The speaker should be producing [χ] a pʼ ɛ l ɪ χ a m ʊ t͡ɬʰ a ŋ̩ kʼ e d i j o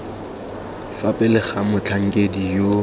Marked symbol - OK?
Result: no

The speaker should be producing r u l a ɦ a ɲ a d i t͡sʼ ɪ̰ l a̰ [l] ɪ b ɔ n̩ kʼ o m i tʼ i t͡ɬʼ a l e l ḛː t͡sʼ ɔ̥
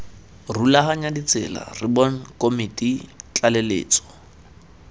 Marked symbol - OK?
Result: no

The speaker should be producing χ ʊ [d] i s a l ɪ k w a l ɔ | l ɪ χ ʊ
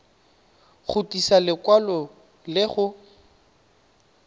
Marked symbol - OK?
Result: no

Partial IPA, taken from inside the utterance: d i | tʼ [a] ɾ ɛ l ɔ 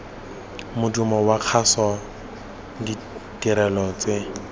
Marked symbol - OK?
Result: no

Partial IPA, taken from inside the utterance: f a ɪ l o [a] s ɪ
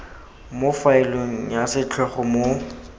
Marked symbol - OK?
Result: yes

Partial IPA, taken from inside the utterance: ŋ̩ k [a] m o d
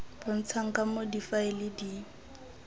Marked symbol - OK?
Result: yes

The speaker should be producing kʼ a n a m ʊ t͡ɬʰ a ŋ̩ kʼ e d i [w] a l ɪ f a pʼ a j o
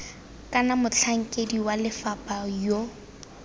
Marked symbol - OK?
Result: yes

